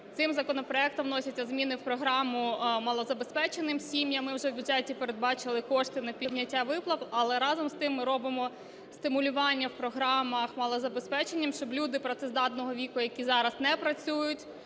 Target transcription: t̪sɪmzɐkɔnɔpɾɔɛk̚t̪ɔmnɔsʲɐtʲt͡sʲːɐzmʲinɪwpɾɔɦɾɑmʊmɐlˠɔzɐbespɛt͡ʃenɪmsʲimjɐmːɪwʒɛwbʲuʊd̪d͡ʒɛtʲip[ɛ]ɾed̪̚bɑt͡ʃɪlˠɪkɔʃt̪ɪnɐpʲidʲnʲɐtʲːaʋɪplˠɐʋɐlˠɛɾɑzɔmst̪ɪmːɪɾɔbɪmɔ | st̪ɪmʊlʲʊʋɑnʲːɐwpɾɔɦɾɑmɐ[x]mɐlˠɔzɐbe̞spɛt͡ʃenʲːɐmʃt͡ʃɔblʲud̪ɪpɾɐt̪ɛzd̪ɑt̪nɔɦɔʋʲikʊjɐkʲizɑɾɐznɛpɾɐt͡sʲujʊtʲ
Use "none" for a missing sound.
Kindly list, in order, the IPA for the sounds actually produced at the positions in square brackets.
e, x

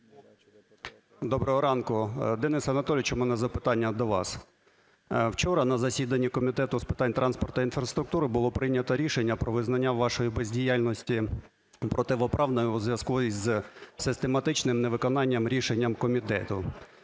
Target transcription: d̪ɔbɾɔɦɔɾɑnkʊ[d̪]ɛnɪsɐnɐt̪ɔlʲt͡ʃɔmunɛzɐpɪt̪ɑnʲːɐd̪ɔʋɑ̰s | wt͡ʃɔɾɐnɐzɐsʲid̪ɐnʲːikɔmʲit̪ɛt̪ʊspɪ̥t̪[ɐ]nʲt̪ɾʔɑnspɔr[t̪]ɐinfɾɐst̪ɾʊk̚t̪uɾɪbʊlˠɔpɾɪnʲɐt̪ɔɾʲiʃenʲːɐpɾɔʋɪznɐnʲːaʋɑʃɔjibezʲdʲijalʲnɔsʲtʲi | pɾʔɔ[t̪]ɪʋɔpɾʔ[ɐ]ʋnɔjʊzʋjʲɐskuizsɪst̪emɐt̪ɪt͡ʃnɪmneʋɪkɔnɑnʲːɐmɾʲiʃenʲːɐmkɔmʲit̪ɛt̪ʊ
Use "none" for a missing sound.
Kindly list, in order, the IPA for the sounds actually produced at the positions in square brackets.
d̪, ɑ, t̪, t̪, ɑ

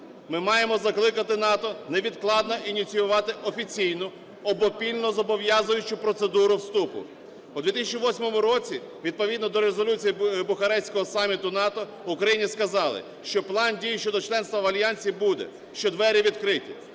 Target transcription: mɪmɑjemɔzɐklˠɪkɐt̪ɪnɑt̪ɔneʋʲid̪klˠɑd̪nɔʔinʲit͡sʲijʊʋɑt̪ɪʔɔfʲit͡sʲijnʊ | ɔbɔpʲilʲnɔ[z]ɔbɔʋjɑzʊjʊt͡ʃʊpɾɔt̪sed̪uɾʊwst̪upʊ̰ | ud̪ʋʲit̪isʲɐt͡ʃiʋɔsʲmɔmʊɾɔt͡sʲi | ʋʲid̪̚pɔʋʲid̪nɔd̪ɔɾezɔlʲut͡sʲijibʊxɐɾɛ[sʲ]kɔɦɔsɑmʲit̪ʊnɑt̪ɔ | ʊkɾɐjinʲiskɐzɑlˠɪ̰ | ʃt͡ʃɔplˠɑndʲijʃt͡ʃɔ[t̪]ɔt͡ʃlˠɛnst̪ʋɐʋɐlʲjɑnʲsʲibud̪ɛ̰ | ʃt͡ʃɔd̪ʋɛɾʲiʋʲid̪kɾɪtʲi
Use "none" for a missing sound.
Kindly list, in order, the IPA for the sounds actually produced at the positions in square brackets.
z, sʲ, d̪

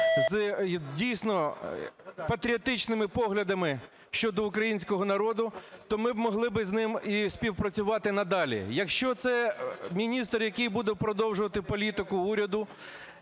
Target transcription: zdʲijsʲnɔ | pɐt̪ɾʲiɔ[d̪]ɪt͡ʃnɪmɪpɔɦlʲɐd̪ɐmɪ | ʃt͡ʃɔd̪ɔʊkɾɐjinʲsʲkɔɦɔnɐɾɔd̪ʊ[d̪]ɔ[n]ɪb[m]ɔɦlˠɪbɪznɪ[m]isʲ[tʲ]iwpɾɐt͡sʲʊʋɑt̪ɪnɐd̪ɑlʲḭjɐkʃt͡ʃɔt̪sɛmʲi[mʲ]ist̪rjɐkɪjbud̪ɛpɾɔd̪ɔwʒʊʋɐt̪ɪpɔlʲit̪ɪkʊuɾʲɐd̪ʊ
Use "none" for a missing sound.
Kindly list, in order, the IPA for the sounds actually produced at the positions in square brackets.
t̪, t̪, m, m, m, pʲ, nʲ

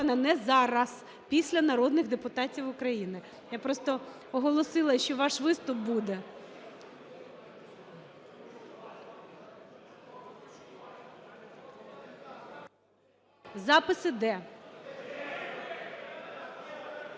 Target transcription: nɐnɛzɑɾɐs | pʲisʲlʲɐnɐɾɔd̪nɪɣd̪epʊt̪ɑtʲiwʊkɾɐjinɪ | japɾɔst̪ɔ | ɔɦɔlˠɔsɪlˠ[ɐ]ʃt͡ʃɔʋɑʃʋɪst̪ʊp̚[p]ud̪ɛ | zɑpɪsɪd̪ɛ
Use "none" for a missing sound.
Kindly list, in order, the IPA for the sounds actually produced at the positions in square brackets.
ɐ, b

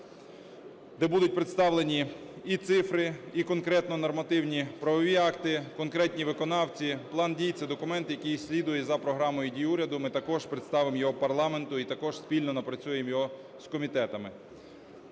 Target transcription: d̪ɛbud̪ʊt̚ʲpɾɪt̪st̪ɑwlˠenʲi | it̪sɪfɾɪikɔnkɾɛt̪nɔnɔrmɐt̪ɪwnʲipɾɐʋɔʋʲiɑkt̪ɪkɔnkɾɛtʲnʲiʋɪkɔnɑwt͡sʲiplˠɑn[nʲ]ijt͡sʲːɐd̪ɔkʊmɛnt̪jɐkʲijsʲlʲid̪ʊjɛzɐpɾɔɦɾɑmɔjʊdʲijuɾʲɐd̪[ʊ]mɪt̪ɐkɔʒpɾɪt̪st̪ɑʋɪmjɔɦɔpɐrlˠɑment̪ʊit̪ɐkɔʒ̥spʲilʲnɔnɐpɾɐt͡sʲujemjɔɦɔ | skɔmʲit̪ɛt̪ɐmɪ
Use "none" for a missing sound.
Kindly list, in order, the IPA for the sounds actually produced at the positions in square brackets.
dʲ, ʊ

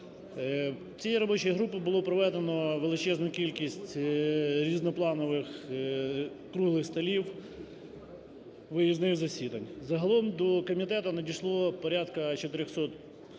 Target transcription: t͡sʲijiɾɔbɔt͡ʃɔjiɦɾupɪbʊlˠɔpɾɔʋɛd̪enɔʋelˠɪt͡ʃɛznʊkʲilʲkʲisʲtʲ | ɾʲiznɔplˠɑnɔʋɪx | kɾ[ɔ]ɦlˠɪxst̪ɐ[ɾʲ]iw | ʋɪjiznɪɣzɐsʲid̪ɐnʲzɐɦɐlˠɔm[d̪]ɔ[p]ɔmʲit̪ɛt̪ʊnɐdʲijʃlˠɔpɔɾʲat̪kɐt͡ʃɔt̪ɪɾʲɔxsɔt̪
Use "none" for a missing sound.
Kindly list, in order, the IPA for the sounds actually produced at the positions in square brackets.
u, lʲ, d̪, k

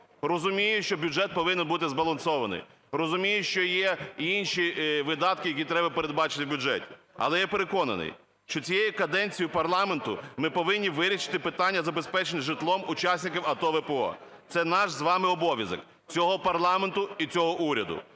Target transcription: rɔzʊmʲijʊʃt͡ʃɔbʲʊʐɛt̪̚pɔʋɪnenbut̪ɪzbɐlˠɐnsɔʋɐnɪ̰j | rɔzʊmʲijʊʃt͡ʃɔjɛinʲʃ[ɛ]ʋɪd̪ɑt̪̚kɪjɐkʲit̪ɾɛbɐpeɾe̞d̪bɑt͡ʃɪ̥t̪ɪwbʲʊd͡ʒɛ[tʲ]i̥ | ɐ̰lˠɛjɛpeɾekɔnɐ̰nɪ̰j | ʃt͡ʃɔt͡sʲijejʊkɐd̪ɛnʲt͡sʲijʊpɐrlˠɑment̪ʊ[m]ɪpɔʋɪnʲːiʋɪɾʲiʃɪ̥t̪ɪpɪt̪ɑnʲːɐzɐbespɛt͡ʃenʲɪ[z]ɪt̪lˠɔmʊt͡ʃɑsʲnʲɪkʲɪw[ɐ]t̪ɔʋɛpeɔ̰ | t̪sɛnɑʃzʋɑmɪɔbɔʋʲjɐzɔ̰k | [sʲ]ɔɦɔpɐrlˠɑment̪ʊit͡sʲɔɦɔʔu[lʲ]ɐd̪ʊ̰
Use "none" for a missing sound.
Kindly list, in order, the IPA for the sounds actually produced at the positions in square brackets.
i, tʲ, m, ʒ, ɐ, t͡sʲ, ɾʲ

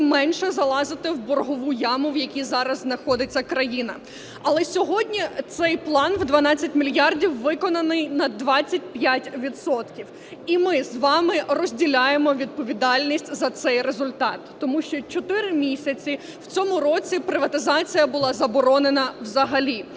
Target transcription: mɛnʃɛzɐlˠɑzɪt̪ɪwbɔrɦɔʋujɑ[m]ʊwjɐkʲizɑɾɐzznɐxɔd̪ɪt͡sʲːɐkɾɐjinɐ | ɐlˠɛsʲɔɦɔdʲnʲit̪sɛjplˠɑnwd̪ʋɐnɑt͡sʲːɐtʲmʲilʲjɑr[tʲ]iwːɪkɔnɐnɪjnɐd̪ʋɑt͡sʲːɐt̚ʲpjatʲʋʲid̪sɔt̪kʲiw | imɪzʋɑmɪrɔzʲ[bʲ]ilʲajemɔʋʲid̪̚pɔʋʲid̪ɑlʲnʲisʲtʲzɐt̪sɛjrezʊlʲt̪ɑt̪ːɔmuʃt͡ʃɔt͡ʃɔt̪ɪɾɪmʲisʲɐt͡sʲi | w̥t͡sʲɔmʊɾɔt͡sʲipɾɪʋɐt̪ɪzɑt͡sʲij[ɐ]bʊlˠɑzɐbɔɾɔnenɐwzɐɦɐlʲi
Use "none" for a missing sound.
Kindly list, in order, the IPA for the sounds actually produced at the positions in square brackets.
m, dʲ, dʲ, ɐ

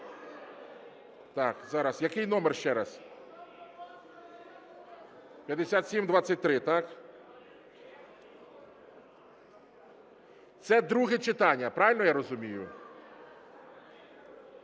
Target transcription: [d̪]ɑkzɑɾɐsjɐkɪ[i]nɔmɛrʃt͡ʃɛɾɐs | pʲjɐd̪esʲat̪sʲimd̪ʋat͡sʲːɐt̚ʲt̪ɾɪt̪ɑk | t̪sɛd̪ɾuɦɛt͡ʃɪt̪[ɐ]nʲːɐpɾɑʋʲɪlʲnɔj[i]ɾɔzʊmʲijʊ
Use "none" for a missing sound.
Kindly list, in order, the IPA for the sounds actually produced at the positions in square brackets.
t̪, j, ɑ, a

